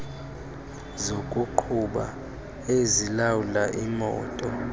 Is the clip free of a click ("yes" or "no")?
no